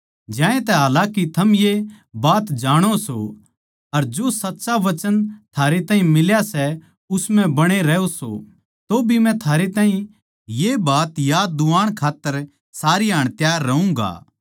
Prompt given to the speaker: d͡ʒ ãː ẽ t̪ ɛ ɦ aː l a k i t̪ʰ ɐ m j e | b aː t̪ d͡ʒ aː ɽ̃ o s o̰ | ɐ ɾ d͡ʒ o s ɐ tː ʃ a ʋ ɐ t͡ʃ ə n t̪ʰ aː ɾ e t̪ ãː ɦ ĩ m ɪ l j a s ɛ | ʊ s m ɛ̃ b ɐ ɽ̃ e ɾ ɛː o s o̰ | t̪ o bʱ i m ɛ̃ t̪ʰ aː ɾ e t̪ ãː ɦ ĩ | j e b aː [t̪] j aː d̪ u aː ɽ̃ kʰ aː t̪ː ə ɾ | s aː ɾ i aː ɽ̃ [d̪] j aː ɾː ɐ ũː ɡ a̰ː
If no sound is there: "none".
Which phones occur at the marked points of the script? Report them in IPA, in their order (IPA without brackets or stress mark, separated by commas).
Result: t̪, t̪